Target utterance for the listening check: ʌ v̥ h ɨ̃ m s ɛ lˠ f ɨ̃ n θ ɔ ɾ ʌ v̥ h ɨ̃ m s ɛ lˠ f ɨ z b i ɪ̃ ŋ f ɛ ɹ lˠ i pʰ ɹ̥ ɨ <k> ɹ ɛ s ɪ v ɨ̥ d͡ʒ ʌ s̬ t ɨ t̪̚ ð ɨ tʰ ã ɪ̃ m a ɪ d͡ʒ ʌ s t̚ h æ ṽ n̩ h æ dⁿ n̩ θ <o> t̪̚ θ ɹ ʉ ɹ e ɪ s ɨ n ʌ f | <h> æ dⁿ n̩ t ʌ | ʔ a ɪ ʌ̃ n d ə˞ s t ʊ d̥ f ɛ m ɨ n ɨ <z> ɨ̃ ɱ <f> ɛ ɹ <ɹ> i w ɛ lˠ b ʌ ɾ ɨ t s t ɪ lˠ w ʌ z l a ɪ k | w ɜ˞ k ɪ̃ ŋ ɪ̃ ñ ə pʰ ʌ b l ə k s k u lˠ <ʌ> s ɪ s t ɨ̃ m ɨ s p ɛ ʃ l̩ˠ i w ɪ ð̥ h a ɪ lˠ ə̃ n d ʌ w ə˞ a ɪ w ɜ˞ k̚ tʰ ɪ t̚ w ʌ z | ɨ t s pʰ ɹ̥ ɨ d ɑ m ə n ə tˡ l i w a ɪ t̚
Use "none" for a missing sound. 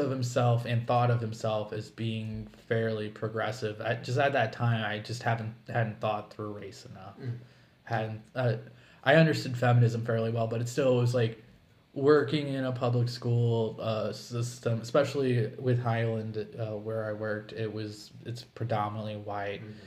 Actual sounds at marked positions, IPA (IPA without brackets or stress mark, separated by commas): ɡ, ɔ, h, z, f, l, ʌ